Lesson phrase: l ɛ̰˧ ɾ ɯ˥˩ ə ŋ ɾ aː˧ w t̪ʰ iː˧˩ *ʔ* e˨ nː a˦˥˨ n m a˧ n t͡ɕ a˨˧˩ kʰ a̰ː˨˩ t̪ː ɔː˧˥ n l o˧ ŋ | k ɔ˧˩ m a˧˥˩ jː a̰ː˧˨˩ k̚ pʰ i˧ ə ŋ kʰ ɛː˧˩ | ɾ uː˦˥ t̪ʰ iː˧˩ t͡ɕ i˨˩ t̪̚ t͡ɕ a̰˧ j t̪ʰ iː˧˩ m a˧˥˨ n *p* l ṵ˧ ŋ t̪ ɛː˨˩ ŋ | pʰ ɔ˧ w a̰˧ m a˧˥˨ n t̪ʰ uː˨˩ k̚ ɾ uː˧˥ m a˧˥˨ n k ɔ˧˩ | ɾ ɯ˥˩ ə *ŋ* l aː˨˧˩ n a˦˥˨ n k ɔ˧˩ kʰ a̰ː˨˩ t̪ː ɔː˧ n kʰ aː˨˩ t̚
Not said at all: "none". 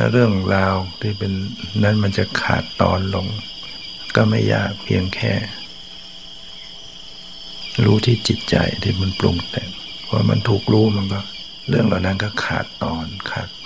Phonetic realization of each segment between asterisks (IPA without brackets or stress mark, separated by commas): p, p, ŋ